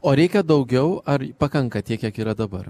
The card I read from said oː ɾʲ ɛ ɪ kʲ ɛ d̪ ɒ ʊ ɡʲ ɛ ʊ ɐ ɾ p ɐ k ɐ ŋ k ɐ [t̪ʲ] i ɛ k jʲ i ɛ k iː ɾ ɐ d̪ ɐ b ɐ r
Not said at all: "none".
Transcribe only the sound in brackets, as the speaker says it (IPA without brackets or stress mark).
t̪ʲ